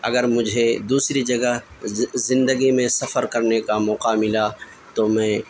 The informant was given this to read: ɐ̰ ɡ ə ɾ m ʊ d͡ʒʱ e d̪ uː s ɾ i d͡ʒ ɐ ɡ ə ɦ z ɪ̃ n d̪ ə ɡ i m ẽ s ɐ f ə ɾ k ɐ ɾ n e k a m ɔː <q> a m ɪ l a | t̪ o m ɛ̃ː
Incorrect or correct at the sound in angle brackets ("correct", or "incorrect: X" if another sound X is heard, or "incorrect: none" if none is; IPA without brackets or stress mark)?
correct